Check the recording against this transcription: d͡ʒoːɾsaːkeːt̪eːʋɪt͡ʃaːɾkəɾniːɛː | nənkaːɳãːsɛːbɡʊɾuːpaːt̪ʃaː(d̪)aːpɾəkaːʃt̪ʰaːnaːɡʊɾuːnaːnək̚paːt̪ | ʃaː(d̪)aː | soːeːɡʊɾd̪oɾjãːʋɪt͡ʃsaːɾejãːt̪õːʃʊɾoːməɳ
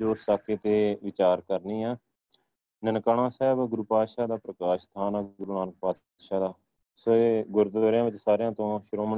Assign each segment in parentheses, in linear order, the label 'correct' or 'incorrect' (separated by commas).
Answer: correct, correct